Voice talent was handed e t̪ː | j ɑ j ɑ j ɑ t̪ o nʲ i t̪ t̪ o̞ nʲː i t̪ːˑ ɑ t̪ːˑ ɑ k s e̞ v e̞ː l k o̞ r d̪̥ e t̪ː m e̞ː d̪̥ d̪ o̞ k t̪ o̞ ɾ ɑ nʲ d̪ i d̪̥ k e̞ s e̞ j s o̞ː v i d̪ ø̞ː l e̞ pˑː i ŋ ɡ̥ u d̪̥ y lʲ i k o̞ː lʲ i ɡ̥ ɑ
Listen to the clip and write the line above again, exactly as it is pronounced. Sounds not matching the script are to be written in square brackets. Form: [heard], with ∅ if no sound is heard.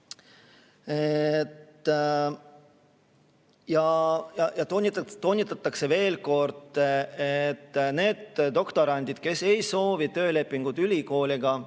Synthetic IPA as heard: e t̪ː | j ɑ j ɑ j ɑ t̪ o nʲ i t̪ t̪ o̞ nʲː i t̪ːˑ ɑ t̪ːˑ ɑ k s e̞ v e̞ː l k o̞ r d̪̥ e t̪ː [n] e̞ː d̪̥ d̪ o̞ k t̪ o̞ ɾ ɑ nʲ d̪ i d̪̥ k e̞ s e̞ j s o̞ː v i [t̪] ø̞ː l e̞ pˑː i ŋ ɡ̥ u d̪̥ y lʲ i k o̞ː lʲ i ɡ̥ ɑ